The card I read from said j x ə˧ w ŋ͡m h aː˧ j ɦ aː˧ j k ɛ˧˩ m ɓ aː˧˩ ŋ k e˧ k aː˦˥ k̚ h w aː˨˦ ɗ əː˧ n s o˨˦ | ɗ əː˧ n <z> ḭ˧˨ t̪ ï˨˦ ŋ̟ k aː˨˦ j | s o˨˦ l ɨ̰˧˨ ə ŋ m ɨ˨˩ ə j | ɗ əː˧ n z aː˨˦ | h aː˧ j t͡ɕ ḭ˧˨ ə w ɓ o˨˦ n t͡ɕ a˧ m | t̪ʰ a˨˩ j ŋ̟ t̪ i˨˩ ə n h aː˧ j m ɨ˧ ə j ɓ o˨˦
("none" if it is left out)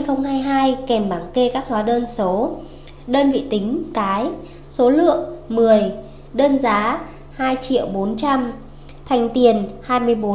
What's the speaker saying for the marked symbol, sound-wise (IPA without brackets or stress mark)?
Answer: v